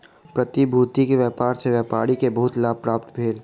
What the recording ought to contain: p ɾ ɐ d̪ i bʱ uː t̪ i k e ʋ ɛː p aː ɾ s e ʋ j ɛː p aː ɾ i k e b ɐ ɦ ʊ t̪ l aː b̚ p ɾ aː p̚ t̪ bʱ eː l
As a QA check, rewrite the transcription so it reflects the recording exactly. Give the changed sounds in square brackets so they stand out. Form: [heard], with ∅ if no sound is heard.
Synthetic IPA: p ɾ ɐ [t̪] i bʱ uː t̪ i k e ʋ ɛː p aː ɾ s e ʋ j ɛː p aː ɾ i k e b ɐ ɦ ʊ t̪ l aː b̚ p ɾ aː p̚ t̪ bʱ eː l